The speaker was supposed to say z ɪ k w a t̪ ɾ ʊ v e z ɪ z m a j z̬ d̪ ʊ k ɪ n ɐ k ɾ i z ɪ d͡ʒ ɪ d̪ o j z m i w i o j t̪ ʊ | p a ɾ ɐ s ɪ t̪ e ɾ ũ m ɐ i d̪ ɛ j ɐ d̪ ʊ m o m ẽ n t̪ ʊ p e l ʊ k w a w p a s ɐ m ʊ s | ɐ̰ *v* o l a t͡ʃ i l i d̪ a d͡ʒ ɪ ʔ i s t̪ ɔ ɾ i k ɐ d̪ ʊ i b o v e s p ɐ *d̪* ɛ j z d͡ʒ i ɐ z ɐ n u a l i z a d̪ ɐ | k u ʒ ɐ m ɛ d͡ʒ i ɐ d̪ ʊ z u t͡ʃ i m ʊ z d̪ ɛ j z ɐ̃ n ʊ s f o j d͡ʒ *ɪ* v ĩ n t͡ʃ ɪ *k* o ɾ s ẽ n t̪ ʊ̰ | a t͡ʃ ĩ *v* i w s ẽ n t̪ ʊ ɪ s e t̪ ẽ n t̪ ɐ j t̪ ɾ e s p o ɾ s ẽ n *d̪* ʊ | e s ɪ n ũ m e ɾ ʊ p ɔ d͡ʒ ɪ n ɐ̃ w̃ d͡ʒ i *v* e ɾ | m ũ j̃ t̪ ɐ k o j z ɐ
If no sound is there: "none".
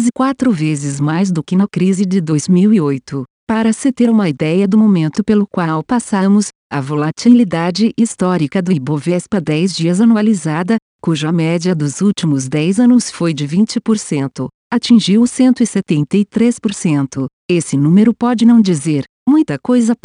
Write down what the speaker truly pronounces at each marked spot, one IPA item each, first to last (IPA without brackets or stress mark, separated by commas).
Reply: v, d̪, ɪ, p, ʒ, t̪, z